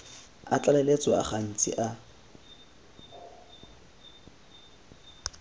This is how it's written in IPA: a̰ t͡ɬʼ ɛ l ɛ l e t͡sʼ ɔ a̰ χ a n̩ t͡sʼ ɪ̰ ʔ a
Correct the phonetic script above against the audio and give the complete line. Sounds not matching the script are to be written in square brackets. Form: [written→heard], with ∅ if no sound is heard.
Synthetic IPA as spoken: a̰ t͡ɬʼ [ɛ→a] l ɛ l e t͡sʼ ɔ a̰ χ a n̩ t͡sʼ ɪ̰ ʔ a